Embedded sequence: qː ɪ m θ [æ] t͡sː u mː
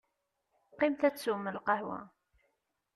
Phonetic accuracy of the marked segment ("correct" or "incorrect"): correct